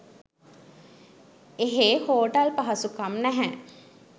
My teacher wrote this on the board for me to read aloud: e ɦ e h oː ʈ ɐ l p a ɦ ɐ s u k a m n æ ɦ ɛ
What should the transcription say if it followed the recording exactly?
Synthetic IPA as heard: e ɦ e h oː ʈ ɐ l p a ɦ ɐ s u k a m n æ ɦ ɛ